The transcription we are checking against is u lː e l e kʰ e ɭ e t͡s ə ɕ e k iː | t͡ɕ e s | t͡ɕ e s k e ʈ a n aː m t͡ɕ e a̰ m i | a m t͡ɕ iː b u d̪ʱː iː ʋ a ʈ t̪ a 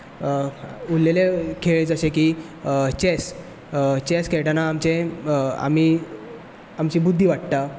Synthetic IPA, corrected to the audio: u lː e l e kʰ e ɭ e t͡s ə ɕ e k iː | t͡ɕ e s | t͡ɕ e s k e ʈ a n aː m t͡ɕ e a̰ m i | a m t͡ɕ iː b u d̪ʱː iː ʋ a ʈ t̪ a